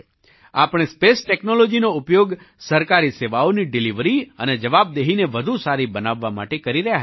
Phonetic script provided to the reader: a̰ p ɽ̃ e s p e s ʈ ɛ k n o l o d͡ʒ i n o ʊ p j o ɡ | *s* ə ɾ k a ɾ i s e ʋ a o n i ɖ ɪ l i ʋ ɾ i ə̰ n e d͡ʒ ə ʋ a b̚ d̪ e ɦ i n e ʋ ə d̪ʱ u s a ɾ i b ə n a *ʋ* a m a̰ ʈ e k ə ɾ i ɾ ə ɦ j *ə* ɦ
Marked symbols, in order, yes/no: yes, no, no

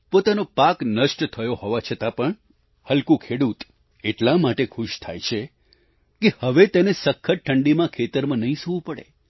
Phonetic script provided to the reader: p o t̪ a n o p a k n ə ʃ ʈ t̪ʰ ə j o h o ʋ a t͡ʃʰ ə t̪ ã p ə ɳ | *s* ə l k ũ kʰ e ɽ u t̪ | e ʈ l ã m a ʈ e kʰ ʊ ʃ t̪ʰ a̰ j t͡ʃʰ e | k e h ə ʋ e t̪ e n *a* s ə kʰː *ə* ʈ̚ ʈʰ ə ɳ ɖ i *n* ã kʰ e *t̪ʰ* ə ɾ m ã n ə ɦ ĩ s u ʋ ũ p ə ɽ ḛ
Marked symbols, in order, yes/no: no, no, yes, no, no

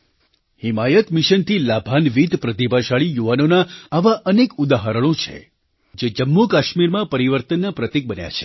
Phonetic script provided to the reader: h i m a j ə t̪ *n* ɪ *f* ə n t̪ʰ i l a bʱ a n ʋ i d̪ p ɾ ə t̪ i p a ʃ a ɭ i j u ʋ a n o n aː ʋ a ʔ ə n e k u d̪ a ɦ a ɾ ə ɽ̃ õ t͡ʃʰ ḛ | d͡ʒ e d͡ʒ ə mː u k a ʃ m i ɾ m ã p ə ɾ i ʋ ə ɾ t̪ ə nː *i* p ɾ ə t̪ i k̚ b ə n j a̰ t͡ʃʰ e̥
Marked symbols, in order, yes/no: no, no, no

